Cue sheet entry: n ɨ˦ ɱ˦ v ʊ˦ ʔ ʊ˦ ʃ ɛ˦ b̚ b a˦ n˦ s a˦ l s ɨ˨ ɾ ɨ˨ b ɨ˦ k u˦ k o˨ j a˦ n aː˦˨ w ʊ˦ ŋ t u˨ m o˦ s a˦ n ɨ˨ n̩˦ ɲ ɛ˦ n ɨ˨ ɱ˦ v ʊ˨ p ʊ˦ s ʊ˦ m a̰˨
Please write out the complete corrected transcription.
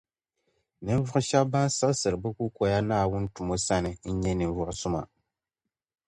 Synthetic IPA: n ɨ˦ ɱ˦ v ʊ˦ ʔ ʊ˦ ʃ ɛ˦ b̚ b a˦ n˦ s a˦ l s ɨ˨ ɾ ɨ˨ b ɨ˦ k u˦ k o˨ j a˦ n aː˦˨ w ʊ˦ n t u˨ m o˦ s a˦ n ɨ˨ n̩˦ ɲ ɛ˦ n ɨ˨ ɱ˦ v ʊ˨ ʔ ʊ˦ s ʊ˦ m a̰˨